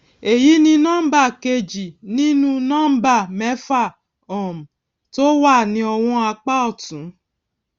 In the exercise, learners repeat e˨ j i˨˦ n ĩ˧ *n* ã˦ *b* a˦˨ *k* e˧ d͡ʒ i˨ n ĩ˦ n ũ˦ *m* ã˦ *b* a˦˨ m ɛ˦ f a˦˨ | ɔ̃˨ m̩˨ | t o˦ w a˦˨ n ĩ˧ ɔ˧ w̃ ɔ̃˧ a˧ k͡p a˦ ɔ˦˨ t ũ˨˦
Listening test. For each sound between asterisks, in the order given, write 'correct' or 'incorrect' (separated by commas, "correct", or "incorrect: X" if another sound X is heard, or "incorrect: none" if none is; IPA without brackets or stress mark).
correct, correct, correct, incorrect: n, correct